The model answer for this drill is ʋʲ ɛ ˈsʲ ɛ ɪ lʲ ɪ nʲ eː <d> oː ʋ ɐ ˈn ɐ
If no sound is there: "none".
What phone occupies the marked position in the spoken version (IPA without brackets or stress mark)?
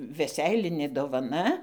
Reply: d